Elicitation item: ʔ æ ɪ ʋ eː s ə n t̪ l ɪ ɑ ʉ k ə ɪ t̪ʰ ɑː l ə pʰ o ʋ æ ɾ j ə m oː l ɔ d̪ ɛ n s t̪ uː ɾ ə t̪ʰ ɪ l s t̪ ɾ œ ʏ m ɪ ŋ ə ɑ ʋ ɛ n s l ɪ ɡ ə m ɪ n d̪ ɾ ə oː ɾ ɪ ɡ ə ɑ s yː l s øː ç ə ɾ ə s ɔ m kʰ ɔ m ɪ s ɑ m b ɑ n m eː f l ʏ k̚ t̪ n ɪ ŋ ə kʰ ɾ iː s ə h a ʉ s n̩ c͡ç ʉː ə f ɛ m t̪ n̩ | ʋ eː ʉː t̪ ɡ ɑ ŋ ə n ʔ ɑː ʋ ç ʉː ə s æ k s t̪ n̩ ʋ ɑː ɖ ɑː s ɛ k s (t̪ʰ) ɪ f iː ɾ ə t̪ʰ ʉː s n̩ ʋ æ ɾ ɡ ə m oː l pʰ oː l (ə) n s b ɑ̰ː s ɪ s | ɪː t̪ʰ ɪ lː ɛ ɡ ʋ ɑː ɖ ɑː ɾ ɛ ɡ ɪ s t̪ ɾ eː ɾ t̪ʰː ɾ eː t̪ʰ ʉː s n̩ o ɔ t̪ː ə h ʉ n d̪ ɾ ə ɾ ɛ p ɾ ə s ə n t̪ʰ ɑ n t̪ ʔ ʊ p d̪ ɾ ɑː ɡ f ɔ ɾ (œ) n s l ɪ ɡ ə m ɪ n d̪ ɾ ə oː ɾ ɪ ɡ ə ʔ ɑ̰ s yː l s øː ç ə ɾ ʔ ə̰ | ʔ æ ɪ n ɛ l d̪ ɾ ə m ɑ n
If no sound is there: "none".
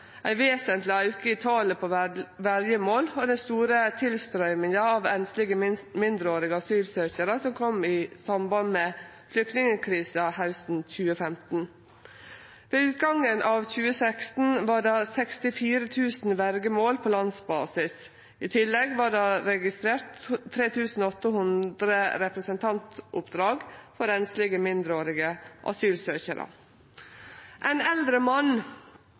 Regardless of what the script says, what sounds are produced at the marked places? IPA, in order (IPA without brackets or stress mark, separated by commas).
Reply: t̪, ɑ, ɛ